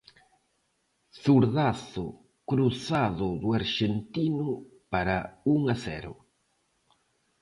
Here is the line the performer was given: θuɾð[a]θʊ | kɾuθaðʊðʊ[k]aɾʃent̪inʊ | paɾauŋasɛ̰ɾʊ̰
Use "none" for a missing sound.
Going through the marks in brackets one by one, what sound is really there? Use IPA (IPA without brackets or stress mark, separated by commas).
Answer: a, none